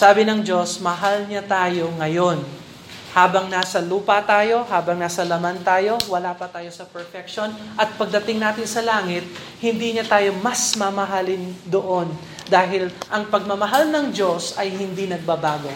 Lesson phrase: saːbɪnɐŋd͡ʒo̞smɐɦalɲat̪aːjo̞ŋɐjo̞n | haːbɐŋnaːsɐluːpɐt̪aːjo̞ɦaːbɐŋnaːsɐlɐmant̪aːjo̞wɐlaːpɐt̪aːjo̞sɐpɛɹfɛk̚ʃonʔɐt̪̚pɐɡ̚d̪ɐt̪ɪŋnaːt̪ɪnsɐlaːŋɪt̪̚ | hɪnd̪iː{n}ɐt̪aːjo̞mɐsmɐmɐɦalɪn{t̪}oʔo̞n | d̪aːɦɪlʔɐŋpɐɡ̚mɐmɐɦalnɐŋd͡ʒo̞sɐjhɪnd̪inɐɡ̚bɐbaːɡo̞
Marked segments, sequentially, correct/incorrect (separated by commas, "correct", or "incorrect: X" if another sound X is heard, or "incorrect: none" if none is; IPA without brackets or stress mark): incorrect: ɲ, incorrect: d̪